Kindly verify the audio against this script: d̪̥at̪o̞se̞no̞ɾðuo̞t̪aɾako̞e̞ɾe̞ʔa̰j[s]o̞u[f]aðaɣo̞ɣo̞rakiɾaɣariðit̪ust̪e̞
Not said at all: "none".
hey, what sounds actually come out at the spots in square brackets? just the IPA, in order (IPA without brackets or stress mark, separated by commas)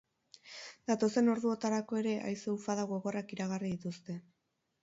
s, f